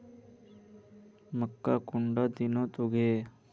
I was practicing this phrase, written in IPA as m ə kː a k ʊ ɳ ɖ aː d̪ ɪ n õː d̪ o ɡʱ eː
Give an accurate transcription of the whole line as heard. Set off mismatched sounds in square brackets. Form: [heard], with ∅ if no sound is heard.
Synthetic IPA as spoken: m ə kː a k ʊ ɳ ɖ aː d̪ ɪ n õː [t̪] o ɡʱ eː